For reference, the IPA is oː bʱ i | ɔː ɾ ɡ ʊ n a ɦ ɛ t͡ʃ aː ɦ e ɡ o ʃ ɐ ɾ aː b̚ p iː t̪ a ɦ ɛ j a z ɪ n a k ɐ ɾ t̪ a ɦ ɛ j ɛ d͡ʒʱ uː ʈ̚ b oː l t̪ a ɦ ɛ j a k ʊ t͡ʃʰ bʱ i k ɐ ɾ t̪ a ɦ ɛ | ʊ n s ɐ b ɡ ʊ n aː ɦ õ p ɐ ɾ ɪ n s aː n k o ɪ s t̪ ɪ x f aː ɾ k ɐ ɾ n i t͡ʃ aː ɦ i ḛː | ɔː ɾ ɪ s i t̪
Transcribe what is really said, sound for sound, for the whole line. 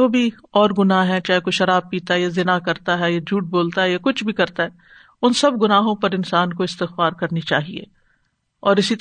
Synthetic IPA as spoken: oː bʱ i | ɔː ɾ ɡ ʊ n a ɦ ɛ t͡ʃ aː ɦ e k o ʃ ɐ ɾ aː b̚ p iː t̪ a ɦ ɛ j a z ɪ n a k ɐ ɾ t̪ a ɦ ɛ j a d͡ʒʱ uː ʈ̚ b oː l t̪ a ɦ ɛ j a k ʊ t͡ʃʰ bʱ i k ɐ ɾ t̪ a ɦ ɛ | ʊ n s ɐ b ɡ ʊ n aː ɦ õ p ɐ ɾ ɪ n s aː n k o ɪ s t̪ ɪ x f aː ɾ k ɐ ɾ n i t͡ʃ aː ɦ i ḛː | ɔː ɾ ɪ s i t̪